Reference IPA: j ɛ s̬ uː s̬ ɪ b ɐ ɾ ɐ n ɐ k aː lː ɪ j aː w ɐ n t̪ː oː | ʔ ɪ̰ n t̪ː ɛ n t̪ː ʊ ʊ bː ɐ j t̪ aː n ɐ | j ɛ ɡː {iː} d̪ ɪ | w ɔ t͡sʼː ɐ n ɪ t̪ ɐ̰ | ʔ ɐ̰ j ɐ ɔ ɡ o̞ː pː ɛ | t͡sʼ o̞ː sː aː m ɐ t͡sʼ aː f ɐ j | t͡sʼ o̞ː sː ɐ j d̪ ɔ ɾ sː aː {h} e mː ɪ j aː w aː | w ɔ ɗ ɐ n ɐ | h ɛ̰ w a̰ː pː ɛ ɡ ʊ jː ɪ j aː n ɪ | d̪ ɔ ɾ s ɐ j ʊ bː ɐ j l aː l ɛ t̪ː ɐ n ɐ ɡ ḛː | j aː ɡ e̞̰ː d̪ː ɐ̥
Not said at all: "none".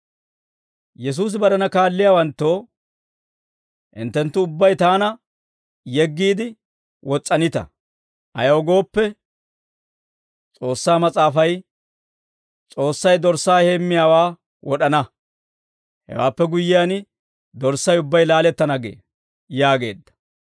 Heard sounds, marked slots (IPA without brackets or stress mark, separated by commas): iː, h